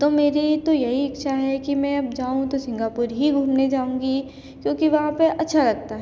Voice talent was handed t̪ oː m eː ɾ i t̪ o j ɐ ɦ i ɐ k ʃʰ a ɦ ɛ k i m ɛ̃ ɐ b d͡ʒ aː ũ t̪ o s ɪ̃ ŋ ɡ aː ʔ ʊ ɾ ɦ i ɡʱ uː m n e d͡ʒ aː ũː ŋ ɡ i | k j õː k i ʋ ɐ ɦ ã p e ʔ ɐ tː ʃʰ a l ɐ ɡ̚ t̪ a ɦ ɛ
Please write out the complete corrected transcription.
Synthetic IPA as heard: t̪ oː m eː ɾ i t̪ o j ɐ ɦ i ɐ k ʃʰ a ɦ ɛ k i m ɛ̃ ɐ b d͡ʒ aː ũ t̪ o s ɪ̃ ŋ ɡ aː p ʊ ɾ ɦ i ɡʱ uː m n e d͡ʒ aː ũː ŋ ɡ i | k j õː k i ʋ ɐ ɦ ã p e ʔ ɐ tː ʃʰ a l ɐ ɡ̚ t̪ a ɦ ɛ